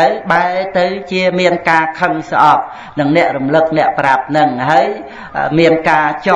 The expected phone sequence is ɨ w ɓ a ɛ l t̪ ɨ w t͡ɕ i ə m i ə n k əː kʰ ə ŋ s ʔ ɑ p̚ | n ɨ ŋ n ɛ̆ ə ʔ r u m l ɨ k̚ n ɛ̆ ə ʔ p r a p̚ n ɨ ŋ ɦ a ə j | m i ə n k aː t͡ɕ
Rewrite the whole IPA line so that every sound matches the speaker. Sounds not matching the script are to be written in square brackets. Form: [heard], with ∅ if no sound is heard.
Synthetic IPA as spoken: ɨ w ɓ a ɛ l t̪ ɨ w t͡ɕ i ə m i ə n k [aː] kʰ ə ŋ s ʔ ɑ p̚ | n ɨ ŋ n ɛ̆ ə ʔ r u m l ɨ k̚ n ɛ̆ ə ʔ p r a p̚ n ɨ ŋ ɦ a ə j | m i ə n k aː t͡ɕ